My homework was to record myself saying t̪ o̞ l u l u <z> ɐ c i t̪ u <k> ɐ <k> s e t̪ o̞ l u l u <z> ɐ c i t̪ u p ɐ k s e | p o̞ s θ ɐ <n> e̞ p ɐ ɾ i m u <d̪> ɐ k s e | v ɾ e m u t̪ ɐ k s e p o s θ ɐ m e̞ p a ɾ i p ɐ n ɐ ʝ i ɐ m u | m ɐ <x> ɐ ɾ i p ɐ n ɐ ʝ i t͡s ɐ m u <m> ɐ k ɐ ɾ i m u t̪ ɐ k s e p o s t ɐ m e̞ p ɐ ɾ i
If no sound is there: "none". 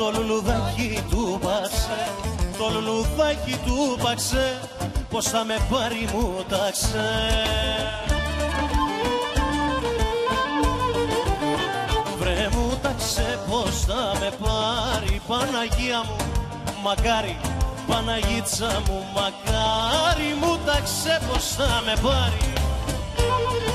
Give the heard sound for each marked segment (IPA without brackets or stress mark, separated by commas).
ð, p, k, ð, m, t̪, k, m